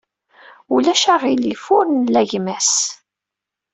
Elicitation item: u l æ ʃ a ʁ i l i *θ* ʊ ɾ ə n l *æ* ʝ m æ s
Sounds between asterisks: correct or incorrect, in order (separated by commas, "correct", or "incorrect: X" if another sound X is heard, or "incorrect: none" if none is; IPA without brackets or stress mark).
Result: incorrect: f, correct